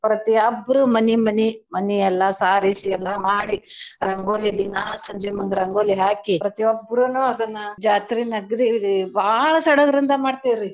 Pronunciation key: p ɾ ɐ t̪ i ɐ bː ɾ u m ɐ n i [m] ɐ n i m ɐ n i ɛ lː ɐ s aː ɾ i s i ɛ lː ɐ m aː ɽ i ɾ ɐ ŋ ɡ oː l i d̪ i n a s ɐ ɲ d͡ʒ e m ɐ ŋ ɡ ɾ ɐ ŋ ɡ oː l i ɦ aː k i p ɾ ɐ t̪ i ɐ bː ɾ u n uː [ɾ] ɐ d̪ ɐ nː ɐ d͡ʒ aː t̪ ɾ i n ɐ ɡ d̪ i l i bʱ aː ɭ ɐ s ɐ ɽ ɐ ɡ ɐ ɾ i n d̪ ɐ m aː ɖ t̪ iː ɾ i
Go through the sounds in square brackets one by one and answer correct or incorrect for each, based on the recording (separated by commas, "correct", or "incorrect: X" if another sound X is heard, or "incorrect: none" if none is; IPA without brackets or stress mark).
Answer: correct, incorrect: none